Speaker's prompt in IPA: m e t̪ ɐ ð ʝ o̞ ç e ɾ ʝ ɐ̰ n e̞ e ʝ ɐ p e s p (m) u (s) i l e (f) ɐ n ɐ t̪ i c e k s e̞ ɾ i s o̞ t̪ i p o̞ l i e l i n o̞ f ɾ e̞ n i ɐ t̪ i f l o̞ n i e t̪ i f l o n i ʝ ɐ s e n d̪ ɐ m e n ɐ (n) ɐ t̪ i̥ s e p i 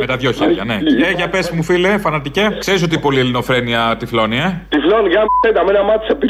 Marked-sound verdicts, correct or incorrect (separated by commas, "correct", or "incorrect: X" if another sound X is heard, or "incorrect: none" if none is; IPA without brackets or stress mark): correct, incorrect: f, correct, incorrect: m